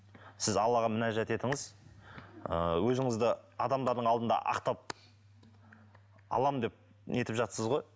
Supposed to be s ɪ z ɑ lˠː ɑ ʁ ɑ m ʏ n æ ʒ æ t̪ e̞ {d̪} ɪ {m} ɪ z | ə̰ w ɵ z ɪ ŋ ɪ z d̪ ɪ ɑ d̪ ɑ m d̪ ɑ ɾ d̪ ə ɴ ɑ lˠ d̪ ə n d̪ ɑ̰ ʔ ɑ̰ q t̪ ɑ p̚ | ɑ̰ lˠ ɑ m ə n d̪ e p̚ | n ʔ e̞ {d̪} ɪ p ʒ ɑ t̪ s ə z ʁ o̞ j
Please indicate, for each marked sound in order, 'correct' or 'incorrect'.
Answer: incorrect, incorrect, incorrect

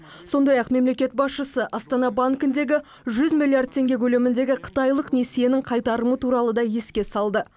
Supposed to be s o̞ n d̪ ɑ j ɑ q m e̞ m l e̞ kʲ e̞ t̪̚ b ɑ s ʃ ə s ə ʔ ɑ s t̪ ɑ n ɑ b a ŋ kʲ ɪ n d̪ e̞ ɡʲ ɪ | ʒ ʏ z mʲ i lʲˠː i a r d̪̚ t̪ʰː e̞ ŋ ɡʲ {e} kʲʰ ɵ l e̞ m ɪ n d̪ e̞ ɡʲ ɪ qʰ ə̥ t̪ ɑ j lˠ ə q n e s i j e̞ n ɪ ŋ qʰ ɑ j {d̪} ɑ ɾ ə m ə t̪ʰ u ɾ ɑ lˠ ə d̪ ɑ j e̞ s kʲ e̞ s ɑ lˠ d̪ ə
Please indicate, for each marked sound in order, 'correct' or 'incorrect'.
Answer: correct, incorrect

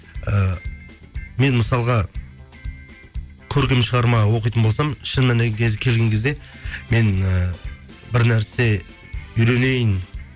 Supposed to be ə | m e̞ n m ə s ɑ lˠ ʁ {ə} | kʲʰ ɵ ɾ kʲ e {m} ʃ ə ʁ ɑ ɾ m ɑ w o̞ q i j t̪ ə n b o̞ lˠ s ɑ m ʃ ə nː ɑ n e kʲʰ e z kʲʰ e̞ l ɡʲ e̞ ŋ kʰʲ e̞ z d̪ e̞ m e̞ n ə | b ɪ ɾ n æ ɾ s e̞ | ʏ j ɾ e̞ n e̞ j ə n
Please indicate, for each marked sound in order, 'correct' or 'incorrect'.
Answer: incorrect, correct

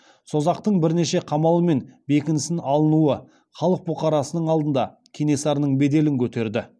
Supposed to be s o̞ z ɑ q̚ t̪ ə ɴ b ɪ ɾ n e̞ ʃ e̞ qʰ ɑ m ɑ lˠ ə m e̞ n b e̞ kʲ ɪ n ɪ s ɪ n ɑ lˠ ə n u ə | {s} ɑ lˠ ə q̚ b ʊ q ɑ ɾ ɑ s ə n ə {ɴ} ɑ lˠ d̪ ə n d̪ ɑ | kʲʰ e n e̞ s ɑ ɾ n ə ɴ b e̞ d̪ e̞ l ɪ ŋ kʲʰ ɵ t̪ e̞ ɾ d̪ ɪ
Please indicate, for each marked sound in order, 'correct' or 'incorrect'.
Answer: incorrect, correct

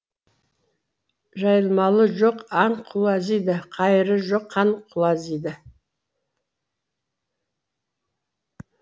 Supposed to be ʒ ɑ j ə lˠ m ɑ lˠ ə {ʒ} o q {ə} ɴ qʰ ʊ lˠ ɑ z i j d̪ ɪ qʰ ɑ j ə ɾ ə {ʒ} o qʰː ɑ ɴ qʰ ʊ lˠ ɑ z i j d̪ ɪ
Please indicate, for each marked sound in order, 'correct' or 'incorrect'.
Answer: correct, incorrect, correct

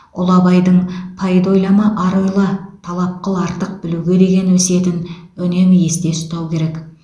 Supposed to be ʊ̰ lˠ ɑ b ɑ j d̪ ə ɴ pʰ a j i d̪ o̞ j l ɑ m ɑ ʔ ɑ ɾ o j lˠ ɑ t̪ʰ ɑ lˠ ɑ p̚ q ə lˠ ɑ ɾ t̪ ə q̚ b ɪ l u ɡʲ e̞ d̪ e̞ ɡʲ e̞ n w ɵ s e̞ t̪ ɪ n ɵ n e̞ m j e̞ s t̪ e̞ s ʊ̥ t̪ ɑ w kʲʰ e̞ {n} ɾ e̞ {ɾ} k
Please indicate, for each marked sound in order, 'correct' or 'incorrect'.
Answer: incorrect, incorrect

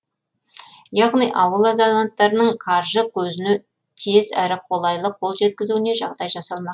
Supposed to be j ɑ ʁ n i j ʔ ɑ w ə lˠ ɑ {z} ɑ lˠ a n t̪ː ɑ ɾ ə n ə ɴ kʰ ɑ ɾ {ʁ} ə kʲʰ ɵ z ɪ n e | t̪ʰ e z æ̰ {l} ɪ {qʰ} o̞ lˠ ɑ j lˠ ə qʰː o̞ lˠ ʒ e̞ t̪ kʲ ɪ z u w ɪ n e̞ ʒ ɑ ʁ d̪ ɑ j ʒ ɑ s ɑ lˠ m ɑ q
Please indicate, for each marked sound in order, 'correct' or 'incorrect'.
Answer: correct, incorrect, incorrect, correct

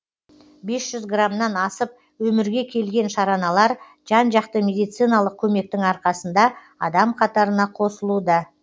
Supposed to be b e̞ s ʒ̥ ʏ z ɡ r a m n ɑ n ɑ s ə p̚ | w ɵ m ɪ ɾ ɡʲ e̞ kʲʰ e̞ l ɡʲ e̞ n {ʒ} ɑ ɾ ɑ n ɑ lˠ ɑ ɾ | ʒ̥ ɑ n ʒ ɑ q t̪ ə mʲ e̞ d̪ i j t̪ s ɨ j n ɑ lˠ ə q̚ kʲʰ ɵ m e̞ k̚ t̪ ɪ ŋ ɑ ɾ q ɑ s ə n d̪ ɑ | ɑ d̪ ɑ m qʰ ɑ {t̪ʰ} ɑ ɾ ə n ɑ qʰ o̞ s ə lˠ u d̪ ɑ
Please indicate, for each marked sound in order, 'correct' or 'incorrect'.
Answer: incorrect, incorrect

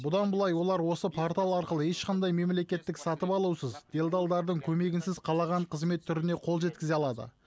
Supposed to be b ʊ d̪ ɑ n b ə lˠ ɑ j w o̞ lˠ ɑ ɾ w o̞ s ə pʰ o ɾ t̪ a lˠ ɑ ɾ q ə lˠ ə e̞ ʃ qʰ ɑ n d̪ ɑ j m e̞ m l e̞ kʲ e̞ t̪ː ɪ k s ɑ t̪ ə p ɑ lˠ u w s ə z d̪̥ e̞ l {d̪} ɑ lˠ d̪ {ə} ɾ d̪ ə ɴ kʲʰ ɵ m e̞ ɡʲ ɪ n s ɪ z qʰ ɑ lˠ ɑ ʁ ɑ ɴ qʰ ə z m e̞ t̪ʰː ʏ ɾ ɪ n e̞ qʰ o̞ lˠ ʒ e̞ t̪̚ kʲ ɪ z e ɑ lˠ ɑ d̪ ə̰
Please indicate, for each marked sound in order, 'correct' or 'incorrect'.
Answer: correct, incorrect

